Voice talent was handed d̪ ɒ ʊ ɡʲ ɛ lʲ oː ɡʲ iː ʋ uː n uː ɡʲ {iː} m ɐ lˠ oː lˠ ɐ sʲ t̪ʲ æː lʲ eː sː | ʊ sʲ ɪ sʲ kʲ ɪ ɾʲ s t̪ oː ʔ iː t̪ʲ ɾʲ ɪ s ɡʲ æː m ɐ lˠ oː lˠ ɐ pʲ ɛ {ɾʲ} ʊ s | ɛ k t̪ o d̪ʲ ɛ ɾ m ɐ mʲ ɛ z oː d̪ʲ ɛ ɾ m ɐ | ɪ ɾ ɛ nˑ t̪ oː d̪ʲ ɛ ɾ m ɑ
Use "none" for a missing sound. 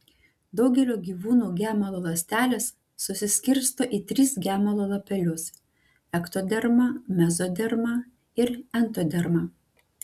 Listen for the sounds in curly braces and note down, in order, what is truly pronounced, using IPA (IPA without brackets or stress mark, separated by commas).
æː, lʲ